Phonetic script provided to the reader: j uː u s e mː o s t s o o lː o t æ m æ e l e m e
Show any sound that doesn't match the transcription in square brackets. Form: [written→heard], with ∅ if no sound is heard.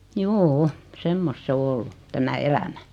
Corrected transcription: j uː u s e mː o s t s o o lː [o→u] t æ m æ e l [e→æ] m [e→æ]